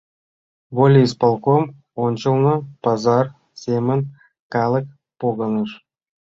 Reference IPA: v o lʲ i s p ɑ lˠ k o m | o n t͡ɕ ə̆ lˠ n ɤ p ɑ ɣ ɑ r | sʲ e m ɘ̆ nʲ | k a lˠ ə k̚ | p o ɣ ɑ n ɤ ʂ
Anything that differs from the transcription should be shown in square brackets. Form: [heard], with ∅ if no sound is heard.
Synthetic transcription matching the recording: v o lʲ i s p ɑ lˠ k o m | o n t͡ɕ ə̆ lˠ n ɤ p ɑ [z] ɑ r | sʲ e m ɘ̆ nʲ | k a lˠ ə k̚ | p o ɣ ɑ n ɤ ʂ